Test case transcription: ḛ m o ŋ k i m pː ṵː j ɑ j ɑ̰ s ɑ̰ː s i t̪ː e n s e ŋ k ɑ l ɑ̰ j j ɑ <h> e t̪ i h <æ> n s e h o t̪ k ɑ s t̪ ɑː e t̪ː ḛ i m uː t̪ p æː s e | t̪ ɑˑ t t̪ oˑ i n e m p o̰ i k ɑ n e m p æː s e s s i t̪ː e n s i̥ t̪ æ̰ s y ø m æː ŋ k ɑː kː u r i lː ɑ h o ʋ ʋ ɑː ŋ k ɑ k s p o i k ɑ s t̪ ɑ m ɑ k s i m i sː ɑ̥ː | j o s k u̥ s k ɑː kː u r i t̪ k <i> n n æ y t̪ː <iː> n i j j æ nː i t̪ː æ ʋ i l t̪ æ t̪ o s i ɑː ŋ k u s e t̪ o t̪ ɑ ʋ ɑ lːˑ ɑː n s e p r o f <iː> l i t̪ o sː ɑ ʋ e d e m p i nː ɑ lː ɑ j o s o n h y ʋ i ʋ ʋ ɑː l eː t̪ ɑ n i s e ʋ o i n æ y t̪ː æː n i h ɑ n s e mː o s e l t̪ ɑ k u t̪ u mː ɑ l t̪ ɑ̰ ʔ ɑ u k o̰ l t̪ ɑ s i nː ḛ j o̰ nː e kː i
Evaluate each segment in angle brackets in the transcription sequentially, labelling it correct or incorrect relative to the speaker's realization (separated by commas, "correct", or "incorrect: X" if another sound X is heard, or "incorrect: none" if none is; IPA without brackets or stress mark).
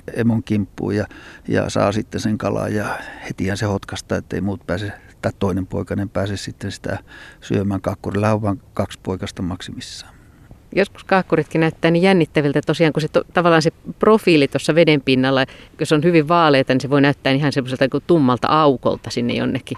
correct, correct, correct, incorrect: æː, correct